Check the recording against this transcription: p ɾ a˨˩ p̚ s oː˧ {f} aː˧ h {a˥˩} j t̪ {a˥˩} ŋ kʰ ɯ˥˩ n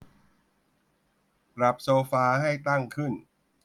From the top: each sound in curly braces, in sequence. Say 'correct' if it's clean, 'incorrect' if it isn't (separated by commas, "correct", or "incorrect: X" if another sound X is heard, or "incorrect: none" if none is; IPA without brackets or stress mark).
correct, correct, correct